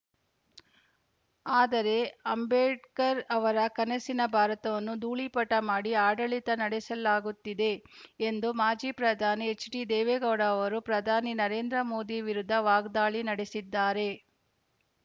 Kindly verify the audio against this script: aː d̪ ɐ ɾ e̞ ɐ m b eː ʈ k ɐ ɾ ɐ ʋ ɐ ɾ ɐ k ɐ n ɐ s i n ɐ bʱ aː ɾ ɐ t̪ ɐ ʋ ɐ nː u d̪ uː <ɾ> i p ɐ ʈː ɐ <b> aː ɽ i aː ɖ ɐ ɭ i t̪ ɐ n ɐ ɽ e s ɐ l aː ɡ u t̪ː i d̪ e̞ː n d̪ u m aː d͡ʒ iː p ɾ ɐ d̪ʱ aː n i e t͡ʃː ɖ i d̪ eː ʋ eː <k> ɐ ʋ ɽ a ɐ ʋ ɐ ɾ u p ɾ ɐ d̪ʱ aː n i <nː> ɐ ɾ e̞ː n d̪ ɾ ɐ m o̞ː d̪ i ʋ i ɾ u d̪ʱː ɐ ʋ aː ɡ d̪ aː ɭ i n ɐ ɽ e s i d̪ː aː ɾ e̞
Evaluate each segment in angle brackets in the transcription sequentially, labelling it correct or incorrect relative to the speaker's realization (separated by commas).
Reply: incorrect, incorrect, incorrect, incorrect